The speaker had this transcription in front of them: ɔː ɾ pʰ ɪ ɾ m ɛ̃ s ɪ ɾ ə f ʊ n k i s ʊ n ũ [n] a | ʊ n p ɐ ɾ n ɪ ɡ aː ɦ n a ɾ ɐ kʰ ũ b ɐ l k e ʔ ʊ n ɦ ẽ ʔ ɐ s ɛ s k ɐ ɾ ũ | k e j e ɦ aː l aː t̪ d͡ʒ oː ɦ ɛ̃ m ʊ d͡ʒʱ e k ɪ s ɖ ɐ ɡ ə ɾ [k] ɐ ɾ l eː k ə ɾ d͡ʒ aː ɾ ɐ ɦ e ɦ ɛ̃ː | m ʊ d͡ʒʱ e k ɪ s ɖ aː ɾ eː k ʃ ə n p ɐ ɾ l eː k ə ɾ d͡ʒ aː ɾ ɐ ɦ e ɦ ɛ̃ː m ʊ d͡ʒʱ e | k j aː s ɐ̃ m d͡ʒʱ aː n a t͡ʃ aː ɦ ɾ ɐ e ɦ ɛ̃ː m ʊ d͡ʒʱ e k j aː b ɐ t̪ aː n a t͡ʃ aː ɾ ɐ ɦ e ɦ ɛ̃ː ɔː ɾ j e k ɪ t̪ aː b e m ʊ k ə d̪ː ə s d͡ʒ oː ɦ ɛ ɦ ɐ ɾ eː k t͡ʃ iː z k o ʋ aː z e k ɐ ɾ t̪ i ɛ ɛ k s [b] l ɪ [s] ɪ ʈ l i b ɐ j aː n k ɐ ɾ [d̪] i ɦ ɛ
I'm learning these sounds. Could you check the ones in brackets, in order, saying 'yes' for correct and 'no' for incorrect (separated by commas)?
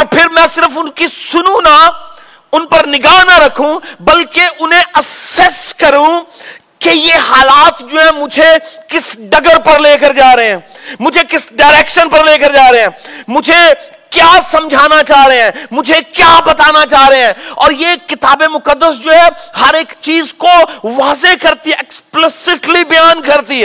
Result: yes, no, no, yes, no